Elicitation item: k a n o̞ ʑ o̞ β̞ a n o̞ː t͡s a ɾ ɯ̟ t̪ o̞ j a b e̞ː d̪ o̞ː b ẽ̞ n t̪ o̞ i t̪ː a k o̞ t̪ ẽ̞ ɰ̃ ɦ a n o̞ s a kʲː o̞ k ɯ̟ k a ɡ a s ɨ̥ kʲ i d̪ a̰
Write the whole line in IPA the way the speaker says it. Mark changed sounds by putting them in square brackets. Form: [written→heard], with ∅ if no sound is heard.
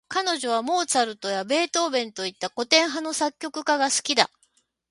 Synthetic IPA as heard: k a n o̞ ʑ o̞ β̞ a [n→m] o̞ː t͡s a ɾ ɯ̟ t̪ o̞ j a b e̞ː [d̪→t̪] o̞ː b ẽ̞ n t̪ o̞ i t̪ː a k o̞ t̪ ẽ̞ ɰ̃ ɦ a n o̞ s a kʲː o̞ k ɯ̟ k a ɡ a s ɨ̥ kʲ i d̪ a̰